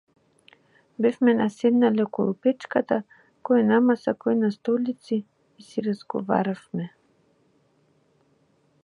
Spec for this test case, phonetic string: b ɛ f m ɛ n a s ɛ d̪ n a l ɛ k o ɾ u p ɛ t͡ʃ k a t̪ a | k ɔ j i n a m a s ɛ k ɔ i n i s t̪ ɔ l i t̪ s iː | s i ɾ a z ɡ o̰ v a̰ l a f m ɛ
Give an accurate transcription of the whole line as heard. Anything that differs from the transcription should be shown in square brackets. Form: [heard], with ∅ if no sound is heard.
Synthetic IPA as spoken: b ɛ f m ɛ n a s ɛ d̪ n a l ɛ k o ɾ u p ɛ t͡ʃ k a t̪ a | k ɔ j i n a m a s [a] k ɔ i n [a] s t̪ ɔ l i t̪ s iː | s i ɾ a z ɡ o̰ v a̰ [ɾ] a f m ɛ